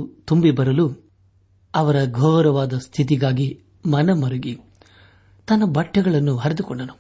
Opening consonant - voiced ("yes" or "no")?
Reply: no